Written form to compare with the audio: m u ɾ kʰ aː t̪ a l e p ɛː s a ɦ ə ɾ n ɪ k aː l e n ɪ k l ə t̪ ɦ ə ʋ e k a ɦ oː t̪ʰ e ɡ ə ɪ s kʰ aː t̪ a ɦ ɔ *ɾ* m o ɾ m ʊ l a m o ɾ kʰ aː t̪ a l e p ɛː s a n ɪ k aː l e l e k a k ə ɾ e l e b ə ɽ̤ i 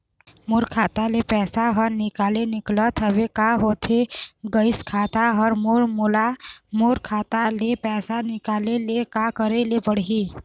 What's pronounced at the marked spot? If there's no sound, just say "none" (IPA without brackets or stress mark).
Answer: ɾ